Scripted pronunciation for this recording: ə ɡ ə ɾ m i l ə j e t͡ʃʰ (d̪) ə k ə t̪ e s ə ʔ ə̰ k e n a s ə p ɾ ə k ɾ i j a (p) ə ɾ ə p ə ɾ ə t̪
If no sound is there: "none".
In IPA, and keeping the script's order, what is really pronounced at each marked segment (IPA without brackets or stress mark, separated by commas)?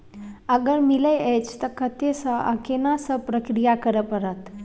t̪, k